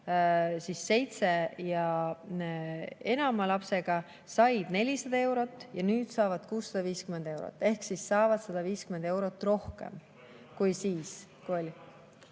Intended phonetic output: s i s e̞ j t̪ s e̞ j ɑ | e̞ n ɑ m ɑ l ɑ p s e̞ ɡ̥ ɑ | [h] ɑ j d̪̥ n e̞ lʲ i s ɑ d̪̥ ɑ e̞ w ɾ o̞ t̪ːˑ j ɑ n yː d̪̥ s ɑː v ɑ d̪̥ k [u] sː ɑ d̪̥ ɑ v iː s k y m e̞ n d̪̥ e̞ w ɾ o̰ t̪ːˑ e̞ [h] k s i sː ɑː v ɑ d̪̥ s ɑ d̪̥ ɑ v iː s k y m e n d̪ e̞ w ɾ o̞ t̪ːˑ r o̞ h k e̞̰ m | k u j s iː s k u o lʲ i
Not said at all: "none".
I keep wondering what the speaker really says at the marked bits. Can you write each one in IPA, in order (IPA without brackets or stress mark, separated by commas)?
s, uː, h